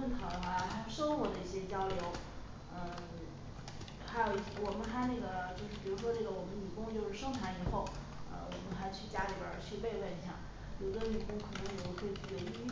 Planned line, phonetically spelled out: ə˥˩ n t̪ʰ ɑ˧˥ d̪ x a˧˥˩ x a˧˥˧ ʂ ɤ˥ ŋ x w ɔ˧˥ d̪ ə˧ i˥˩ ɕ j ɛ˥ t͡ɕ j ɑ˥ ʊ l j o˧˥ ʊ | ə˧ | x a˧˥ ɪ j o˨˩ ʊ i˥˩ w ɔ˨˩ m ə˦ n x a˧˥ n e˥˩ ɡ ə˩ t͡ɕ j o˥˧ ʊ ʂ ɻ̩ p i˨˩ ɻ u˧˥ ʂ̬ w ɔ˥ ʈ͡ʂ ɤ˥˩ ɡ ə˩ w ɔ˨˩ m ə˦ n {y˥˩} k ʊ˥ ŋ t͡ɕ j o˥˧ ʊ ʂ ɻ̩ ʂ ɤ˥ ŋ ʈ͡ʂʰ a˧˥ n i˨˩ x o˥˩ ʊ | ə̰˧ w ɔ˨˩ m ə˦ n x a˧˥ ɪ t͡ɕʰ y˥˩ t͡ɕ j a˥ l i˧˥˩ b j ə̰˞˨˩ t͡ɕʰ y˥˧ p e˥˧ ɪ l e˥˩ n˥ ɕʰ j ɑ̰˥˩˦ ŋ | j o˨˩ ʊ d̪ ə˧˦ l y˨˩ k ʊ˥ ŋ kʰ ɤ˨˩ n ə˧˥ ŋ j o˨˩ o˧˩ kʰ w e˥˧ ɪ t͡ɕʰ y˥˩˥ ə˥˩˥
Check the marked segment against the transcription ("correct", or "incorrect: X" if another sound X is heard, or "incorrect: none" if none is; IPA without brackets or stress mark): incorrect: y˨˩